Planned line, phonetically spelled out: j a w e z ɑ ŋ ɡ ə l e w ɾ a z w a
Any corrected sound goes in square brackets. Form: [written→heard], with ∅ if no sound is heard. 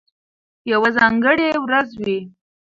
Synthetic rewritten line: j a w [e→a] z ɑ ŋ ɡ ə [l→ɽ] e w ɾ a z w [a→i]

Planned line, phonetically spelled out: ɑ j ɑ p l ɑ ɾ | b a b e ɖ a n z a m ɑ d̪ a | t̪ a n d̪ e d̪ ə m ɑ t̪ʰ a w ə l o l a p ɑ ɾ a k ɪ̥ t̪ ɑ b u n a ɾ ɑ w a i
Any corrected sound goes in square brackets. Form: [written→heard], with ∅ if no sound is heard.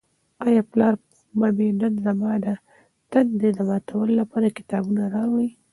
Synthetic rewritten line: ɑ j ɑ p l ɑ ɾ | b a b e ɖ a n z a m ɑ d̪ a | t̪ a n d̪ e d̪ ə m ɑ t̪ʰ a w ə l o l a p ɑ ɾ a k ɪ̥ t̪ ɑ b u n a ɾ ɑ w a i

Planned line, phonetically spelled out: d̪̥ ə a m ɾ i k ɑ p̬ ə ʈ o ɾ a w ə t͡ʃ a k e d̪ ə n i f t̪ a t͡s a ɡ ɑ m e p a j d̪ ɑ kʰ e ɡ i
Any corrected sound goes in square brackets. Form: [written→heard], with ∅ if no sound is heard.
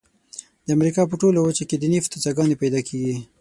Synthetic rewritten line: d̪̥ ə a m ɾ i k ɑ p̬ ə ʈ o [ɾ→l] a w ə t͡ʃ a k e d̪ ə n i f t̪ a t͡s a ɡ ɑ [m→n] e p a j d̪ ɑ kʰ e ɡ i

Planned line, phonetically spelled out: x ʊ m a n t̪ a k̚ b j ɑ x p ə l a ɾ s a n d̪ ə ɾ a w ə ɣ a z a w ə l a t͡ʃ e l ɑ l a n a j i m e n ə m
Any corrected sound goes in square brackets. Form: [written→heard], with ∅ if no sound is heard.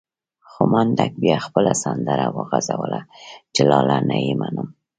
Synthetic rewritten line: x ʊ m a n [t̪→d̪] a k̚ b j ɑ x p ə l a [ɾ→∅] s a n d̪ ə ɾ a w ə ɣ a z a w ə l a t͡ʃ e l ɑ l a n a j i m [e→a] n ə m

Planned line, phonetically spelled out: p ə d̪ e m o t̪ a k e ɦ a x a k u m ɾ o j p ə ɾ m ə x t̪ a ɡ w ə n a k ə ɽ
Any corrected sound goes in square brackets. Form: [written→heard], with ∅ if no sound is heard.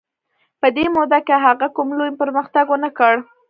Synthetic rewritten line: p ə d̪ e m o [t̪→d̪] a k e ɦ a [x→ɣ] a k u m [ɾ→l] o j p ə ɾ m ə x t̪ a ɡ w ə n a k ə ɽ

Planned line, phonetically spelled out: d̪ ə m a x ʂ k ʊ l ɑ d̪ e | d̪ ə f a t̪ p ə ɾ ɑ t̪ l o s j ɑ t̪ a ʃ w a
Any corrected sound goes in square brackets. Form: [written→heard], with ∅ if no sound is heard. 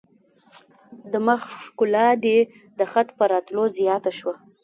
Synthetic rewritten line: d̪ ə m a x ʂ k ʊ l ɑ d̪ e | d̪ ə [f→x] a t̪ p ə ɾ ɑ t̪ l o [s→z] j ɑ t̪ a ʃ w a

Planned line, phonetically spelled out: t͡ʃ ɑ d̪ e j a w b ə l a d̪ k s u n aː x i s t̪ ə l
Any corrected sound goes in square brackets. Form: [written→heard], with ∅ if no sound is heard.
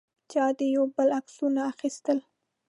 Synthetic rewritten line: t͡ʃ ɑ d̪ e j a w b ə l a [d̪→∅] k s u n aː x i s t̪ ə l

